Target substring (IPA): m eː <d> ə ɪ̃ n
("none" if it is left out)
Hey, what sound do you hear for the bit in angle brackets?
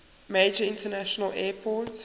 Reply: d͡ʒ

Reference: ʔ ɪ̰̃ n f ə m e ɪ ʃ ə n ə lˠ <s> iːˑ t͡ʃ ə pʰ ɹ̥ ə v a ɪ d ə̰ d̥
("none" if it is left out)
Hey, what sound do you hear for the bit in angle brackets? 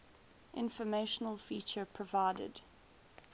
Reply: f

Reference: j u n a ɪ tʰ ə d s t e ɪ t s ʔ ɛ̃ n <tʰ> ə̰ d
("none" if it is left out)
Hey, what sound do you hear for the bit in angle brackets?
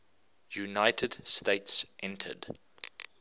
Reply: tʰ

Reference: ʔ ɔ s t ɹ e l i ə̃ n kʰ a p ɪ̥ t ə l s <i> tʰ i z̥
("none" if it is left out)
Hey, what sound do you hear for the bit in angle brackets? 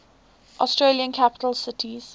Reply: ɪ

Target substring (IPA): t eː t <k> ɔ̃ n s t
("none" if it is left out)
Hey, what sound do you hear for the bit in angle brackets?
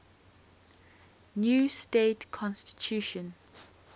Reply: kʰ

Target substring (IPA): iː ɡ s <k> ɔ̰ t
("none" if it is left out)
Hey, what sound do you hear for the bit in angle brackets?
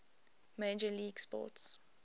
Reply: p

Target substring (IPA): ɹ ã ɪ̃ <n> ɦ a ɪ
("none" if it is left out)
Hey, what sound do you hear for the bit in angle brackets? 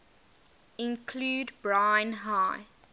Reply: n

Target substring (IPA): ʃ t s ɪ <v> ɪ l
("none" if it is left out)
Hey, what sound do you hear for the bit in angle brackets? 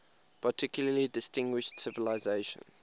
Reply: v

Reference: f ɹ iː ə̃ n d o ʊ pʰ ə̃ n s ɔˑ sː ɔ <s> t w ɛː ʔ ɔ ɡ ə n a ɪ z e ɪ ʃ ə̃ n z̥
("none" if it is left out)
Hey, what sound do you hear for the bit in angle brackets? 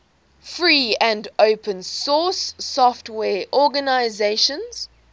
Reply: f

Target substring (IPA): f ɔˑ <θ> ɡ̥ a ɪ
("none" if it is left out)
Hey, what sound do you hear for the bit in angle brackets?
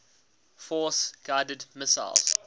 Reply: s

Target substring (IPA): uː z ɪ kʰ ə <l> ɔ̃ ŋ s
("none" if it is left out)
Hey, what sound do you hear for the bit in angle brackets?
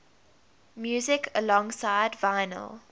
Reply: l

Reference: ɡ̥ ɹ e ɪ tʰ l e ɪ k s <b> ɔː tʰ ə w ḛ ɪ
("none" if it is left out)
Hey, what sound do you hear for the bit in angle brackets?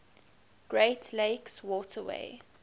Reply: w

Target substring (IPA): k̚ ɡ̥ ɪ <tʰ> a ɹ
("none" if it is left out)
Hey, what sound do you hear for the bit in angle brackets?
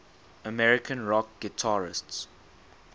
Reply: tʰ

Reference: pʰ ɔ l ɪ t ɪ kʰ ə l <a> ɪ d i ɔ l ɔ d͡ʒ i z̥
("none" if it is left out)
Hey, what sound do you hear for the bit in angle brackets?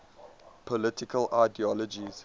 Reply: a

